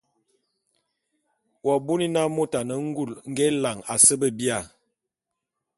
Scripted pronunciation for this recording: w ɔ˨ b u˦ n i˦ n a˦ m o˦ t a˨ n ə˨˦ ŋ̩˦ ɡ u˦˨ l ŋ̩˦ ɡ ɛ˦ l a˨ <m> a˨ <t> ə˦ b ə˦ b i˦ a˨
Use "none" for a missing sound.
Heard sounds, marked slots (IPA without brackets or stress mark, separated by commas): ŋ, s